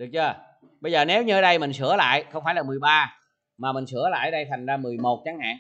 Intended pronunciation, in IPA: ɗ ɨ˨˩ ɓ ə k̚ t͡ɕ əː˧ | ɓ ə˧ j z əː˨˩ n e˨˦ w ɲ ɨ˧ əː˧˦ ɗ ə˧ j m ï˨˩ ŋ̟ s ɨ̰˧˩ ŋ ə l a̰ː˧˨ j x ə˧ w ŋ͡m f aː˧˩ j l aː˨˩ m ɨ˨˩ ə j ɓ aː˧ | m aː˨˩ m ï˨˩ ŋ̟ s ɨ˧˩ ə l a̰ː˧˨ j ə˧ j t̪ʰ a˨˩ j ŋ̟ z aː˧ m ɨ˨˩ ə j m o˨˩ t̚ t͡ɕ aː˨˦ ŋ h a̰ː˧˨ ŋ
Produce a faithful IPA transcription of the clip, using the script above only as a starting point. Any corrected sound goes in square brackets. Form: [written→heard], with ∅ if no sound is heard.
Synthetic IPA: ɗ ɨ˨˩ [ɓ→∅] ə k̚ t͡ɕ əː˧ | ɓ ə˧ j z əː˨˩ n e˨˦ w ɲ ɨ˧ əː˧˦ ɗ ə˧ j m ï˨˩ ŋ̟ s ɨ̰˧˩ [ŋ→∅] ə l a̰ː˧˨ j x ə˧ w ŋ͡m f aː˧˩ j l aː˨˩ m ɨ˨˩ ə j ɓ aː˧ | m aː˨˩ m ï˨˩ ŋ̟ s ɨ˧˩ ə l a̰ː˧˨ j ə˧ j t̪ʰ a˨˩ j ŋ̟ z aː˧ m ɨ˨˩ ə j m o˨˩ t̚ t͡ɕ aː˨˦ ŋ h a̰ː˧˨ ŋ

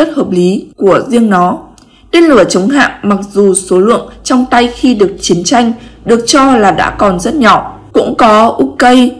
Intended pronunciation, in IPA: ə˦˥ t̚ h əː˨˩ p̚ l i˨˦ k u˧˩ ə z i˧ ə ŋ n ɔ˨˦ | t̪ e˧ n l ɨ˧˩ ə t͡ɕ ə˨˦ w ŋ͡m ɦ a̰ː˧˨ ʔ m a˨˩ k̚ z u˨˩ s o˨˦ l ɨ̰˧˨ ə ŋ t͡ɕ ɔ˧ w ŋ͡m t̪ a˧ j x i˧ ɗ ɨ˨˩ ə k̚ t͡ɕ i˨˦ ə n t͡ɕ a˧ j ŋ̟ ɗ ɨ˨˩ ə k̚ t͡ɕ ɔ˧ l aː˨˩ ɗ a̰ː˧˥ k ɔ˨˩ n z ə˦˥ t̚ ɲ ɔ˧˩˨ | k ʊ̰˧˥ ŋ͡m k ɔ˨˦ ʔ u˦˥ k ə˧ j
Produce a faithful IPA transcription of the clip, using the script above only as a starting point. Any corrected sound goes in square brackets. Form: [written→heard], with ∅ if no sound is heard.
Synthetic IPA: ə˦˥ t̚ h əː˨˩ p̚ l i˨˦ k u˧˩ ə z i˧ ə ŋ n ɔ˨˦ | t̪ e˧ n l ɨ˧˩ ə t͡ɕ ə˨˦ w ŋ͡m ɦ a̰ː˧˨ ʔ m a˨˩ k̚ z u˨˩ s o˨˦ l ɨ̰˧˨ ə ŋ t͡ɕ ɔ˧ w ŋ͡m t̪ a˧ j x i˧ ɗ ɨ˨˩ ə k̚ t͡ɕ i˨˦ ə n t͡ɕ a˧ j ŋ̟ ɗ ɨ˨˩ ə k̚ t͡ɕ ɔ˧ l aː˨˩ ɗ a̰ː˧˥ k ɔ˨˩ n z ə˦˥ t̚ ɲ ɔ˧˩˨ | k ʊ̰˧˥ ŋ͡m k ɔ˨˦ ʔ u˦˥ k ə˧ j

